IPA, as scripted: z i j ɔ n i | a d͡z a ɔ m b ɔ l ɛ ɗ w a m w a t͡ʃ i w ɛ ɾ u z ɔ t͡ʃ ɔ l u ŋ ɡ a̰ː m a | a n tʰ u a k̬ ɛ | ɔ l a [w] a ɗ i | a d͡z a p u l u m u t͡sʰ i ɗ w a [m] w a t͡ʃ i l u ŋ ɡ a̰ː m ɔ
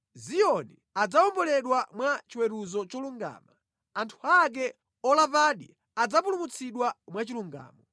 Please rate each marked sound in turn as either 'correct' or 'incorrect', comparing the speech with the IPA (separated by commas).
incorrect, correct